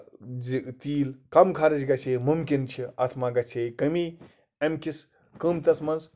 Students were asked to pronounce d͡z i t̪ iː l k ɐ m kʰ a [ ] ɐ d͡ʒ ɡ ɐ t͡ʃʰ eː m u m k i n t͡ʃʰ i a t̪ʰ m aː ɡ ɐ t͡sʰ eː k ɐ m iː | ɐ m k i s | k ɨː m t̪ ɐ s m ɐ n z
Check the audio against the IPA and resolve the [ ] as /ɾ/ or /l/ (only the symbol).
ɾ